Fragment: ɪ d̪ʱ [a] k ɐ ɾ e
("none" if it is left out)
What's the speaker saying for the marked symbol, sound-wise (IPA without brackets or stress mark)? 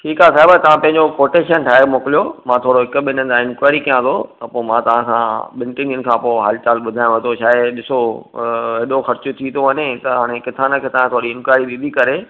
i